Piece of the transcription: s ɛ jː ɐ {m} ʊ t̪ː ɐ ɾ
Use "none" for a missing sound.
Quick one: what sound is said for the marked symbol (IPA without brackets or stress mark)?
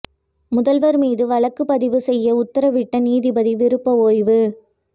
none